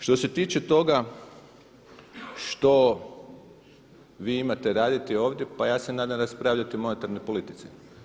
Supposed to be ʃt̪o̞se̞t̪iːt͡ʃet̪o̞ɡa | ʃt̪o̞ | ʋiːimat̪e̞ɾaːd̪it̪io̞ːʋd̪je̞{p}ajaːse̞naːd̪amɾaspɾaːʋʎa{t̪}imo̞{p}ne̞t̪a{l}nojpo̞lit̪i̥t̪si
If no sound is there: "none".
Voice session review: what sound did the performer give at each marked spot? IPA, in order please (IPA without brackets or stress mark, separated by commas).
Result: p, t̪, none, ɾ